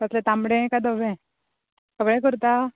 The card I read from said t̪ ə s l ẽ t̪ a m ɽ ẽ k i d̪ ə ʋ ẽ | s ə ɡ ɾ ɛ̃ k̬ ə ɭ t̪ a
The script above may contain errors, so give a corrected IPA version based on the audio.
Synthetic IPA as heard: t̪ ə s l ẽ t̪ a m ɽ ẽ k a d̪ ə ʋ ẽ | s ə ɡ ɭ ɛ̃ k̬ ə ɾ t̪ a